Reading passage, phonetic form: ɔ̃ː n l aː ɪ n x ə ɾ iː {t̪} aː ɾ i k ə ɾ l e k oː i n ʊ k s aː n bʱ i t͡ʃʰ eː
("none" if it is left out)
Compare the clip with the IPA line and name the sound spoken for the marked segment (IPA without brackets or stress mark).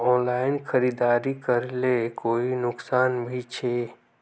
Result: d̪